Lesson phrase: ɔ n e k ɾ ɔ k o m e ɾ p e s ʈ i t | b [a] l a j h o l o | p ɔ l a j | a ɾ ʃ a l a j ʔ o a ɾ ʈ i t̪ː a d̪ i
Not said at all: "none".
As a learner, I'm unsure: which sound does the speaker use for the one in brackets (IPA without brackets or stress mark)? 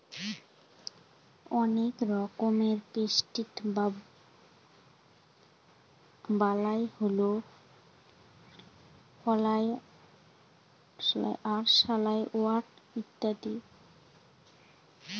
a